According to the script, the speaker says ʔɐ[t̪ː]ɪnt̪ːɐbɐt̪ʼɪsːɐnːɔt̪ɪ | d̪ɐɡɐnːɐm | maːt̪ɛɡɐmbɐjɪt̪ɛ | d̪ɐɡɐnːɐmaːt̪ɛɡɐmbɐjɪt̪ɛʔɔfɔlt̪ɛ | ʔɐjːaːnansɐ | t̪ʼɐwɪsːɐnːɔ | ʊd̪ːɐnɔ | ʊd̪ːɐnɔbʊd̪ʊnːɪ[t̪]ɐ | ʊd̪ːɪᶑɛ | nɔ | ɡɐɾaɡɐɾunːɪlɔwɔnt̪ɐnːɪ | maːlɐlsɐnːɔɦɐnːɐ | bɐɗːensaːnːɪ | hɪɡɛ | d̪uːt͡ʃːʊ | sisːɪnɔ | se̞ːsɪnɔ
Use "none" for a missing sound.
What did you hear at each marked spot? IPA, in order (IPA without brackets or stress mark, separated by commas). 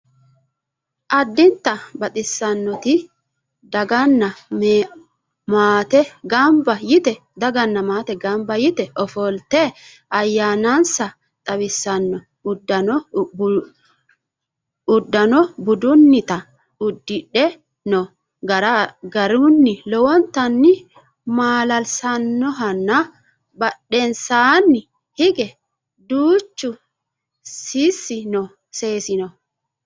d̪ː, t̪